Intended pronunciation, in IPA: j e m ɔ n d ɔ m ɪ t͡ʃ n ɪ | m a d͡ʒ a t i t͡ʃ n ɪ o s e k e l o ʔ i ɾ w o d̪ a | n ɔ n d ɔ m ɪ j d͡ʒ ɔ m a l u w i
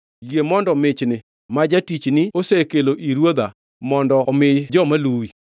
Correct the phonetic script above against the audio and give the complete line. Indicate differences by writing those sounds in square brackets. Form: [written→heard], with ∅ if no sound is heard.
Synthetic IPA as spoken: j e m ɔ n d ɔ m ɪ t͡ʃ n ɪ | m a d͡ʒ a t i t͡ʃ n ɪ o s e k e l o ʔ i ɾ w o d̪ a | [n→m] ɔ n d ɔ m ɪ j d͡ʒ ɔ m a l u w i

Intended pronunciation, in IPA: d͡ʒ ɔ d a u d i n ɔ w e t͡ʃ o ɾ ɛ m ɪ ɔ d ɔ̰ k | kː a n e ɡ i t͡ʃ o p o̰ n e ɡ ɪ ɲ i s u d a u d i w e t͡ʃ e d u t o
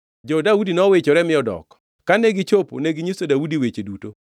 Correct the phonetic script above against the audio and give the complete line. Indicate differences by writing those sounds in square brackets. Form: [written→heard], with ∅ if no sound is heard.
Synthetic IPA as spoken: d͡ʒ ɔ d a u d i n ɔ w e t͡ʃ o ɾ ɛ m ɪ ɔ d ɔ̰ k | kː a n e ɡ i t͡ʃ o p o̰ n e ɡ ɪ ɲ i s [u→o] d a u d i w e t͡ʃ e d u t o

